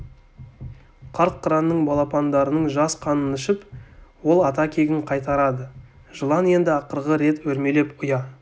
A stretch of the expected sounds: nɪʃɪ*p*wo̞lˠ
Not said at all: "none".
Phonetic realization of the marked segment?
p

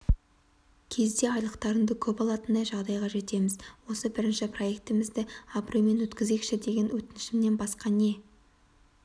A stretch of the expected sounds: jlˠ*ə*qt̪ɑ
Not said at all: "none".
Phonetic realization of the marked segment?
ə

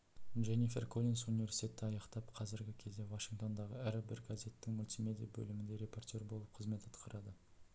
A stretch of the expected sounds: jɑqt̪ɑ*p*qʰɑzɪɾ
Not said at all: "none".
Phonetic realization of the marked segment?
p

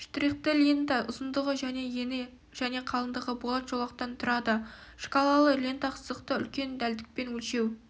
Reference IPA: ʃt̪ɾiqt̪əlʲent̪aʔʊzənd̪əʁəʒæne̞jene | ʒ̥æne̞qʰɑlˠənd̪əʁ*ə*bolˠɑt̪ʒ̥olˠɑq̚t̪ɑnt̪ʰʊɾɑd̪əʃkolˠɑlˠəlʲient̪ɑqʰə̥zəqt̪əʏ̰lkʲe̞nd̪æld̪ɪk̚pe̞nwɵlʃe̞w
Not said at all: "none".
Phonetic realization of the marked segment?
ə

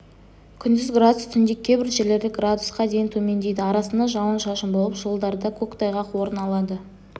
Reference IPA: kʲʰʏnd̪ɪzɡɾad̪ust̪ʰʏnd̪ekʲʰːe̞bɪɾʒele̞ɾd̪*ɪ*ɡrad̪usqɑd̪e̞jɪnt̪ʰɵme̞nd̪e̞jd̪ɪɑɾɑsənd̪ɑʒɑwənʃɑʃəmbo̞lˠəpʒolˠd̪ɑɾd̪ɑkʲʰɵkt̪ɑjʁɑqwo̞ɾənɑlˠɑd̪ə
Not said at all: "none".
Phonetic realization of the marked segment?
ɪ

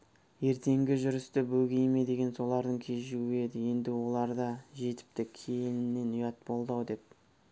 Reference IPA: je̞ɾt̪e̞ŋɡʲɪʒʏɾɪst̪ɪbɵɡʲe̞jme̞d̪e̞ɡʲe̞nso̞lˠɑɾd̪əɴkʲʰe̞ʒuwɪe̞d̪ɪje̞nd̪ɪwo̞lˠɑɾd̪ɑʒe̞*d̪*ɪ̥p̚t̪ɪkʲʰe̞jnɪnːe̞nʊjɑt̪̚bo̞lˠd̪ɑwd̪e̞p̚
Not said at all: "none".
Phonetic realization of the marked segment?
t̪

